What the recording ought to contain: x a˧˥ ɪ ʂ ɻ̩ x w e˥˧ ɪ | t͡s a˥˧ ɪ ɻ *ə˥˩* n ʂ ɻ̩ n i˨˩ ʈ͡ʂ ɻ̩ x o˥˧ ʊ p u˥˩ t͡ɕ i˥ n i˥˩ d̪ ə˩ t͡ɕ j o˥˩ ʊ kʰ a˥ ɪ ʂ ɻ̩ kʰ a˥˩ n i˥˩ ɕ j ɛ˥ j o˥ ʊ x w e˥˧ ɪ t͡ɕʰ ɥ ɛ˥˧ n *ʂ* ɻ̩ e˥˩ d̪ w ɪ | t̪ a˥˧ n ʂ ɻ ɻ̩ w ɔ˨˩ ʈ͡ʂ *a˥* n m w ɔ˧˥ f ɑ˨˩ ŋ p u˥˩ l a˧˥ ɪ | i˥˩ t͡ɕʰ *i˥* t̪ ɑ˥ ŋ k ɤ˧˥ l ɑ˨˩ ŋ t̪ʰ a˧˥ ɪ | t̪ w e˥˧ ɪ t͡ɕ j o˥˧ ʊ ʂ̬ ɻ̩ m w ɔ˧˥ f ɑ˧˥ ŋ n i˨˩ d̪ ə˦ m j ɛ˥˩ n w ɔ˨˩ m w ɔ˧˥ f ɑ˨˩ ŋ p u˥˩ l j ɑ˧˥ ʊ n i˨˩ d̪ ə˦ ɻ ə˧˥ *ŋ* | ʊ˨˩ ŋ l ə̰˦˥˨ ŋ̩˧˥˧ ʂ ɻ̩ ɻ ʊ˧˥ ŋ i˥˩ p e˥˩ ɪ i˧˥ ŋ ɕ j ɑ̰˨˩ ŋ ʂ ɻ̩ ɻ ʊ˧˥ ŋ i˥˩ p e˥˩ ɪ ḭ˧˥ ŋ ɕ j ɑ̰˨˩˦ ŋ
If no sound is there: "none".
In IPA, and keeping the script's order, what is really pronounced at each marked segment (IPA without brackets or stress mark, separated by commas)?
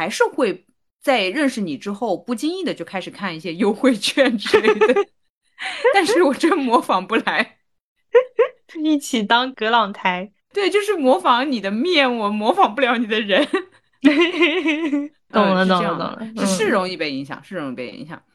ə˥˩, ʈ͡ʂ, ə˥, i˨˩, n